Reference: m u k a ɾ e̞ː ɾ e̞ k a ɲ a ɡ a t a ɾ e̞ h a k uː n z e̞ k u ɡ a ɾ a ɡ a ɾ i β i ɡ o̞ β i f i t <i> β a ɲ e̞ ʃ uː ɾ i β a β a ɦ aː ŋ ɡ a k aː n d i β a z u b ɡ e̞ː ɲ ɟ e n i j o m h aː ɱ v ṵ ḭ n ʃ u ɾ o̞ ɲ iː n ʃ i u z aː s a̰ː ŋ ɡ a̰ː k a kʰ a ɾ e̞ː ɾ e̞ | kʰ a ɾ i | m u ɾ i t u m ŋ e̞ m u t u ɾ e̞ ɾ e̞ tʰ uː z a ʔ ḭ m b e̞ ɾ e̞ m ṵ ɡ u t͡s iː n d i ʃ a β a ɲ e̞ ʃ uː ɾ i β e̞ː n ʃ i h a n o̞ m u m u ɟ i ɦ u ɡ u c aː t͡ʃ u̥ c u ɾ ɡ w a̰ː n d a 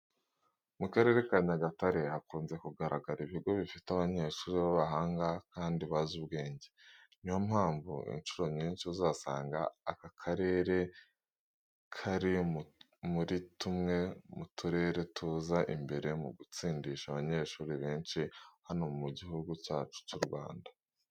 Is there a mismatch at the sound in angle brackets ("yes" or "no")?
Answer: yes